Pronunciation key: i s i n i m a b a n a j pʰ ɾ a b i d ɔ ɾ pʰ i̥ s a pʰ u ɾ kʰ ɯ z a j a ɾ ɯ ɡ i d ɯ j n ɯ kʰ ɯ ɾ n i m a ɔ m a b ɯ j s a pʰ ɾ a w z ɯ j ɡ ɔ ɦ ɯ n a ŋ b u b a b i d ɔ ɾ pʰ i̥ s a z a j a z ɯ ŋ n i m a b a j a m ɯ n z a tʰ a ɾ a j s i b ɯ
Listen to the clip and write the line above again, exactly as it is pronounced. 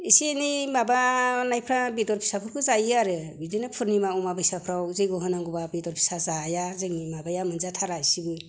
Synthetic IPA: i s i n i m a b a n a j pʰ ɾ a b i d ɔ ɾ pʰ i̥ s a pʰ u ɾ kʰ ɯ z a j a ɾ ɯ b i d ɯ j n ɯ pʰ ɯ ɾ n i m a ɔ m a b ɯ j s a pʰ ɾ a w z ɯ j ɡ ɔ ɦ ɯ n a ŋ ɡ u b a b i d ɔ ɾ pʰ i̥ s a z a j a z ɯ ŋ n i m a b a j a m ɯ n z a tʰ a ɾ a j s i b ɯ